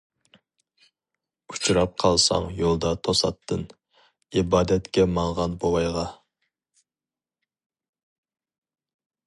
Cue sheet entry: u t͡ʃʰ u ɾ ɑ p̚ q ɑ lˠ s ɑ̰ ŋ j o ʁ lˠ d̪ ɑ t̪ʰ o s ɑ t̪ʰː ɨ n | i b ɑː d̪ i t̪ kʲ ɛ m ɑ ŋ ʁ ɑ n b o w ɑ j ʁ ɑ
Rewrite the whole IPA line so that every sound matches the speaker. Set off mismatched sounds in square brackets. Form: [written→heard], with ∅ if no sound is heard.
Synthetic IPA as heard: u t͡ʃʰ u ɾ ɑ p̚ [q→qʰ] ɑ lˠ s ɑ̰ ŋ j o [ʁ→∅] lˠ d̪ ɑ t̪ʰ o s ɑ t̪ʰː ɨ n | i b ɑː d̪ [i→ɛ] t̪ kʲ ɛ m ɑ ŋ ʁ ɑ n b o w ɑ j ʁ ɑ